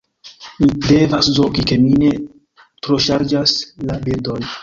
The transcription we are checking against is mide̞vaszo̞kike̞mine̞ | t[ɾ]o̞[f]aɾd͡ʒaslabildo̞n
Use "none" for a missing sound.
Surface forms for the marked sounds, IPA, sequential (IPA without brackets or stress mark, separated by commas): ɾ, ʃ